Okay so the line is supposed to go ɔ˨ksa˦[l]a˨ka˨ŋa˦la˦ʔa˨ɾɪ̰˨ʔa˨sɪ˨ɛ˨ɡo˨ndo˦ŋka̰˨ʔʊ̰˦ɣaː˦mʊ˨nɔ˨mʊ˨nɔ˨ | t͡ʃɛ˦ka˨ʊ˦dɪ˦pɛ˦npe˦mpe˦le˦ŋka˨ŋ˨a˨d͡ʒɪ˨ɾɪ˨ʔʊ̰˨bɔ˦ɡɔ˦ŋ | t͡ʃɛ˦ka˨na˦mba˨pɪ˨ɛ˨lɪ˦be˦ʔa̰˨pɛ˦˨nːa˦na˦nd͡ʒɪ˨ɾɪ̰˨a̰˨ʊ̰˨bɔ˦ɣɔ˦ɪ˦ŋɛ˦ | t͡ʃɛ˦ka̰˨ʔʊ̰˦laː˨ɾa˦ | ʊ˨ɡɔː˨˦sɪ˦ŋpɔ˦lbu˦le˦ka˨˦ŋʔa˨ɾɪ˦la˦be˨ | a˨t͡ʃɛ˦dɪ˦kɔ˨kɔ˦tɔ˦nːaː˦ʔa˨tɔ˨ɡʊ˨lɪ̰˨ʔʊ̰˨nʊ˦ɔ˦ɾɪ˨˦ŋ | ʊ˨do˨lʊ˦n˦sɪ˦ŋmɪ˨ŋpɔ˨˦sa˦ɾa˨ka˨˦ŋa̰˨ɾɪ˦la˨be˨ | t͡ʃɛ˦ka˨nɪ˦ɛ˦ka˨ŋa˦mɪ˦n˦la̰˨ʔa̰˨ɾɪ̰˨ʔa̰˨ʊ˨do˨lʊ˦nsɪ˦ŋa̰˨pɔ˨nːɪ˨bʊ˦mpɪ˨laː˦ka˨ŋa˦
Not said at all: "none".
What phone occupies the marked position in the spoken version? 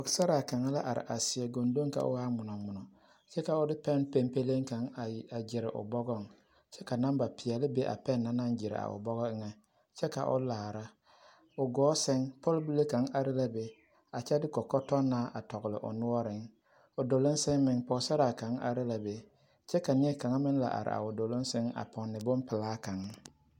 ɾ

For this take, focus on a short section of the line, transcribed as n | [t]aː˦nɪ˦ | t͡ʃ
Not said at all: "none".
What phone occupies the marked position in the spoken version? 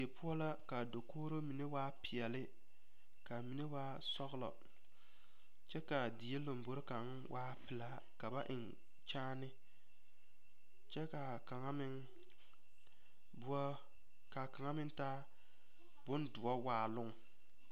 t͡ʃ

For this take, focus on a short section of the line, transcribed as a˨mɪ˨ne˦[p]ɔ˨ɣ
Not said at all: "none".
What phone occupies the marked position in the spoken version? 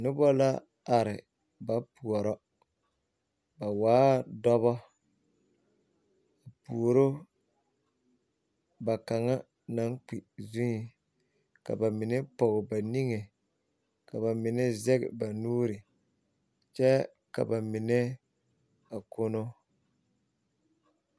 p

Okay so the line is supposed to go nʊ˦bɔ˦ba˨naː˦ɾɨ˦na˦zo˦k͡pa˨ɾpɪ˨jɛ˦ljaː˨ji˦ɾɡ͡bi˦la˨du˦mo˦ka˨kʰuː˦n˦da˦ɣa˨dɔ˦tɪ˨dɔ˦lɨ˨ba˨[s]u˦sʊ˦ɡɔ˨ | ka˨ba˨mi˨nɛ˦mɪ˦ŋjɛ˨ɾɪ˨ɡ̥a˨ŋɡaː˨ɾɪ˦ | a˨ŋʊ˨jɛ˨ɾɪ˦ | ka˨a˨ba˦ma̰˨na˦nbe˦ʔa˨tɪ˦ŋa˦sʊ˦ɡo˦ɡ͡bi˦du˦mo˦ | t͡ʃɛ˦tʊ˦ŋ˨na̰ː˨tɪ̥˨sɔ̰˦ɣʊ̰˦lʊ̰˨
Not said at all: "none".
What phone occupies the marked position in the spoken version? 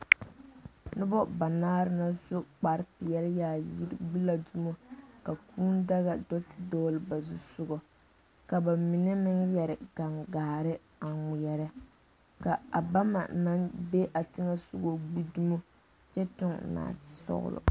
z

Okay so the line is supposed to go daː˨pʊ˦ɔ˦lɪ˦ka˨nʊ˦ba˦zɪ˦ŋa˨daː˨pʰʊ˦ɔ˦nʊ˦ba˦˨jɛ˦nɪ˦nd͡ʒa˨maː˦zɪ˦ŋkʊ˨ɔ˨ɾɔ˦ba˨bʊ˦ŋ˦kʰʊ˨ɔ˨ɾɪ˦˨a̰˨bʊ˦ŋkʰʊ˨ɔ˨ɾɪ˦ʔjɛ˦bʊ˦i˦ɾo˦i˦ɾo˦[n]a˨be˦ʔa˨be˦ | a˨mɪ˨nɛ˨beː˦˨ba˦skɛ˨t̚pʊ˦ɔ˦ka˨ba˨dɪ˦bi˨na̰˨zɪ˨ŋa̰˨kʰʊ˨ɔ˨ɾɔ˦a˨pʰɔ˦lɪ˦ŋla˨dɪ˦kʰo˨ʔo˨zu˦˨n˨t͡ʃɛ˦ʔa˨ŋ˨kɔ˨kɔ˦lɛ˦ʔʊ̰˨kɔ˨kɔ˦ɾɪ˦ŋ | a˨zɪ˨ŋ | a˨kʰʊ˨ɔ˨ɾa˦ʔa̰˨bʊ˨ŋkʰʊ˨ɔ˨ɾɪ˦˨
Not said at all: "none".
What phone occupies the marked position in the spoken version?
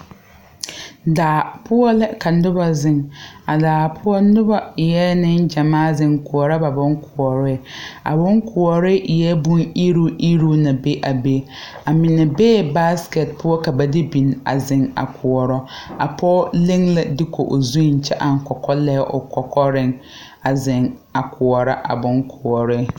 n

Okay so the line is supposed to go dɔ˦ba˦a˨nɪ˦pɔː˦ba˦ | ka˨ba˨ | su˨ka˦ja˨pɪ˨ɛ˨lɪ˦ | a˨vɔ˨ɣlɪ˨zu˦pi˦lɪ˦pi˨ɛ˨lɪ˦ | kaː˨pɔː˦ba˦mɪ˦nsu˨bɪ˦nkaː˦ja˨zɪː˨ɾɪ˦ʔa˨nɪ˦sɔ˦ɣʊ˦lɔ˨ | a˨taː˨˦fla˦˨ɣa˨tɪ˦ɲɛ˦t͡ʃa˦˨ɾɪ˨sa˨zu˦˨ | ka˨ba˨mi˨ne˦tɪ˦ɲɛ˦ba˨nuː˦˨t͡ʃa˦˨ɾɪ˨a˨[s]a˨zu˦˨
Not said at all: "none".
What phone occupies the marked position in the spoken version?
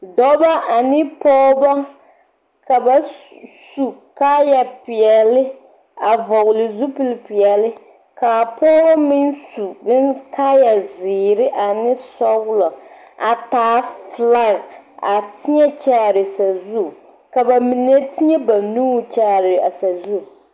s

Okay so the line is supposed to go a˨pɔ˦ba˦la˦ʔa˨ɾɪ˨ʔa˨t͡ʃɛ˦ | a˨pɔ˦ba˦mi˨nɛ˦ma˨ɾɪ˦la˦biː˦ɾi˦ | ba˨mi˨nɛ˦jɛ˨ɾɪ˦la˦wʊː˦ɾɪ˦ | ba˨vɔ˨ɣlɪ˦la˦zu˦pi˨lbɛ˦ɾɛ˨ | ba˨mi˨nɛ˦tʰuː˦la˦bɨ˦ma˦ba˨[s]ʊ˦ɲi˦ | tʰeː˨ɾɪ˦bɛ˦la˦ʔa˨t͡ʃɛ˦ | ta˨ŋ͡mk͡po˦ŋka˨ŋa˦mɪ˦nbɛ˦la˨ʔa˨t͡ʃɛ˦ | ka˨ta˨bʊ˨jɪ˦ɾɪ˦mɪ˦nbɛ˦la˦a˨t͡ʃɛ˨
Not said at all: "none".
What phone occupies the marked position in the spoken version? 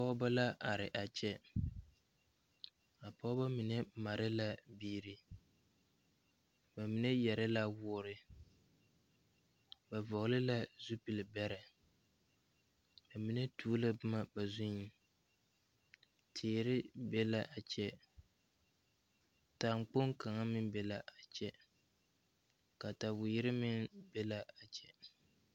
z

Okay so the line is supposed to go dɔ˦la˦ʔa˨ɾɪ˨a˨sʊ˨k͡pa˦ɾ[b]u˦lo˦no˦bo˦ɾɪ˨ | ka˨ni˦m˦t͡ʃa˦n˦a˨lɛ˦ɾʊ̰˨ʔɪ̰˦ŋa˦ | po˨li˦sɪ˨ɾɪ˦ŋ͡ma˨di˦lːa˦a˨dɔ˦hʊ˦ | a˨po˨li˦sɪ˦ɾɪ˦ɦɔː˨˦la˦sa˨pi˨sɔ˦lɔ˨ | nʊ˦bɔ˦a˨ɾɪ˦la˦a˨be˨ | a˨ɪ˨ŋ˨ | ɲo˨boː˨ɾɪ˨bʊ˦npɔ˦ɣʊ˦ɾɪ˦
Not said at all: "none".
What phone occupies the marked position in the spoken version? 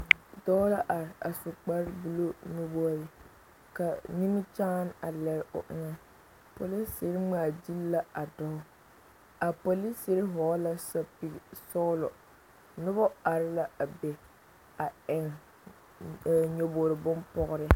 b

